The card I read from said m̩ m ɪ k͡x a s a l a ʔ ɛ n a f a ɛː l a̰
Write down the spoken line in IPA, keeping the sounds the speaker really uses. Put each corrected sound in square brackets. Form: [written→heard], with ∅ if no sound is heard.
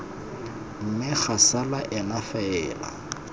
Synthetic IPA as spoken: m̩ m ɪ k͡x a s a l a ʔ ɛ n a f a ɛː l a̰